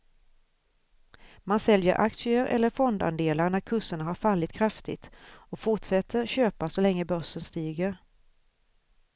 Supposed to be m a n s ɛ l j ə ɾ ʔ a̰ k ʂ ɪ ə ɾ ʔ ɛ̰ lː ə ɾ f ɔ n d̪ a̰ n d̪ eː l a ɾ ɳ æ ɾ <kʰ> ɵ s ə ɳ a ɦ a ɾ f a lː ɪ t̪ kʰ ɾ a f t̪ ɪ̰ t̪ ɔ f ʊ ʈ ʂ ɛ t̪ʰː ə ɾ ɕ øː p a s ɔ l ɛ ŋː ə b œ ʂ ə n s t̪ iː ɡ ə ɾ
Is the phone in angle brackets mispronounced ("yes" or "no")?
no